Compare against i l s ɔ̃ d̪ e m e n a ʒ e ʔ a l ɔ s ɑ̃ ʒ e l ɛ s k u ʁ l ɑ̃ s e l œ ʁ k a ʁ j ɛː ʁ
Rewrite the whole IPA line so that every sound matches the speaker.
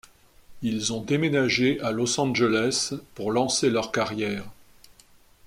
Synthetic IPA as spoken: i l z ɔ̃ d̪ e m e n a ʒ e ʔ a l ɔ s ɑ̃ ʒ e l ɛ s p u ʁ l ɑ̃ s e l œ ʁ k a ʁ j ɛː ʁ